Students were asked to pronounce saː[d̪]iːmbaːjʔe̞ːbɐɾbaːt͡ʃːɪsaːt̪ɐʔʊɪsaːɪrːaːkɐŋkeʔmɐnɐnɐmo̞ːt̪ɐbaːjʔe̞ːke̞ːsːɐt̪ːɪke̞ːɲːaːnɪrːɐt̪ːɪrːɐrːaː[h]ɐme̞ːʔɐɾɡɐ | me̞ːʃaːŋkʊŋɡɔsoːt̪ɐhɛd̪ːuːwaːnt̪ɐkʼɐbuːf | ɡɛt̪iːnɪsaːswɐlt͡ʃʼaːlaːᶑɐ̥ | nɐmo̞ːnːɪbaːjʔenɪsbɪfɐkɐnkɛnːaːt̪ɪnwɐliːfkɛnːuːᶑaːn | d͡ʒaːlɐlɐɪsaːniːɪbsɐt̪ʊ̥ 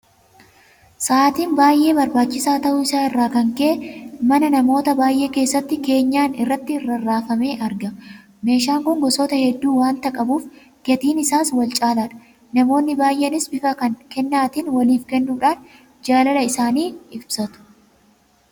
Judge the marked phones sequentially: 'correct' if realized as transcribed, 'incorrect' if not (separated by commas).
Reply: incorrect, incorrect